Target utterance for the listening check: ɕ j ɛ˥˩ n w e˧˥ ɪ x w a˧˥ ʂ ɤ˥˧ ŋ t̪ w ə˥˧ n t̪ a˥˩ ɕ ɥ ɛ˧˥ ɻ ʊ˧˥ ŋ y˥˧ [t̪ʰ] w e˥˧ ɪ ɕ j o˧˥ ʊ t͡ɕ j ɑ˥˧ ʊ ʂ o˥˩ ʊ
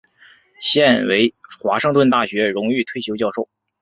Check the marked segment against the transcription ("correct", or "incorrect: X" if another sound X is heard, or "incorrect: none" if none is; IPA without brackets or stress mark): correct